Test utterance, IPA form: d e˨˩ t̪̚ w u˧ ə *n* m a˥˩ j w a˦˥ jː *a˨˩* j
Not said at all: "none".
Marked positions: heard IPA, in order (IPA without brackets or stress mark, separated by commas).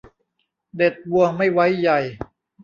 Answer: ŋ, a˨˩